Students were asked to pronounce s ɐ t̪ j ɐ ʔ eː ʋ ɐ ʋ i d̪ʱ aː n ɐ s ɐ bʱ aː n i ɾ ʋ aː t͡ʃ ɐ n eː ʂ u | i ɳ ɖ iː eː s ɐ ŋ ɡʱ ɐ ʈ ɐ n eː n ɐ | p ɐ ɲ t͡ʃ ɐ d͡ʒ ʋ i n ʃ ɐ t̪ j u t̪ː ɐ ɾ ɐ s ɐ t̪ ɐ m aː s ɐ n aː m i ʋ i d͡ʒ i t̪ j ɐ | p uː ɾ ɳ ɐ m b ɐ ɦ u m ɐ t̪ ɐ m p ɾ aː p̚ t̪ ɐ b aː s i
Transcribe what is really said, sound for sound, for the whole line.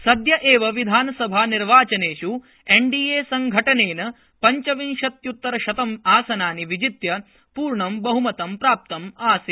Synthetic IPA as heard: s ɐ d̪ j ɐ ʔ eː ʋ ɐ ʋ i d̪ʱ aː n ɐ s ɐ bʱ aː n i ɾ ʋ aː t͡ʃ ɐ n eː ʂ u | e ɳ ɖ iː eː s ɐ ŋ ɡʱ ɐ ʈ ɐ n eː n ɐ | p ɐ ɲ t͡ʃ ɐ ʋ i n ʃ ɐ t̪ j u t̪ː ɐ ɾ ɐ ʃ ɐ t̪ ɐ m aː s ɐ n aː n i ʋ i d͡ʒ i t̪ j ɐ | p uː ɾ ɳ ɐ m b ɐ ɦ u m ɐ t̪ ɐ m p ɾ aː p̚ t̪ ɐ m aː s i